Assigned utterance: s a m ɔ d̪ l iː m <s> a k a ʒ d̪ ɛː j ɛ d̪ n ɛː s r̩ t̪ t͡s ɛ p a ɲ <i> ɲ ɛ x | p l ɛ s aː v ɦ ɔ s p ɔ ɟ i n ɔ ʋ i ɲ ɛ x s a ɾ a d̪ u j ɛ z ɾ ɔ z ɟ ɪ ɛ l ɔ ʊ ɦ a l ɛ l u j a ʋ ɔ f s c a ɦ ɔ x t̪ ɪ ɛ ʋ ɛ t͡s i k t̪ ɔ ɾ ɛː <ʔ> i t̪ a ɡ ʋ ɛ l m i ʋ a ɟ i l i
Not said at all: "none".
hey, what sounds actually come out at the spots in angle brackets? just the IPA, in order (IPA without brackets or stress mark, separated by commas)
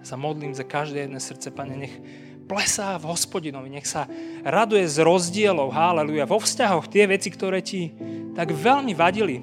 z, ɛ, c